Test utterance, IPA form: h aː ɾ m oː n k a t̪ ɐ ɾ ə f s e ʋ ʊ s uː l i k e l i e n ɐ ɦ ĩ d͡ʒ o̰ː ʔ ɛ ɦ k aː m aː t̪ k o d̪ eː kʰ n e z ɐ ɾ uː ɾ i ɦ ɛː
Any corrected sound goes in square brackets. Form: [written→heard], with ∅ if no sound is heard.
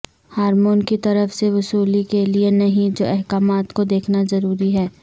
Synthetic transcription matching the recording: h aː ɾ m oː n k [a→i] t̪ ɐ ɾ ə f s e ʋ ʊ s uː l i k e l i e n ɐ ɦ ĩ d͡ʒ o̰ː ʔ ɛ ɦ k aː m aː t̪ k o d̪ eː kʰ n [e→a] z ɐ ɾ uː ɾ i ɦ ɛː

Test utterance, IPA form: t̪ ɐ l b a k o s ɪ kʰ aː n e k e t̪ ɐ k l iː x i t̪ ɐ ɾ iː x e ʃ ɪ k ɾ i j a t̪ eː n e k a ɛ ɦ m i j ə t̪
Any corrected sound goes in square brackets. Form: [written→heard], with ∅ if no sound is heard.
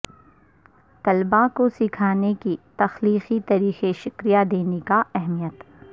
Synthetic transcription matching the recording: t̪ ɐ l b a k o s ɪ kʰ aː n e k [e→i] t̪ ɐ [k→x] l iː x i t̪ ɐ ɾ iː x e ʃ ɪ k ɾ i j a [t̪→d̪] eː n e k a ɛ ɦ m i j ə t̪

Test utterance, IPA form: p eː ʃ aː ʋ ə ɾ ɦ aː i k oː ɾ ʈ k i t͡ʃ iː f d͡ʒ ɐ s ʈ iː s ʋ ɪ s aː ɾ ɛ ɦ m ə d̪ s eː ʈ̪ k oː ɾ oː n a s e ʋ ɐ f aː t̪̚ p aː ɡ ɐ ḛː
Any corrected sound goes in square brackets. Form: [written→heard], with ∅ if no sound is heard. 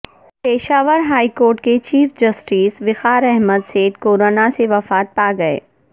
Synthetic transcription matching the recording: p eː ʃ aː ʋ ə ɾ ɦ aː i k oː ɾ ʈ k [i→e] t͡ʃ iː f d͡ʒ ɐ s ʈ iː s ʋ ɪ [s→x] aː ɾ ɛ ɦ m ə d̪ s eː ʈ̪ k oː ɾ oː n a s e ʋ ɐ f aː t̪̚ p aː ɡ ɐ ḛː

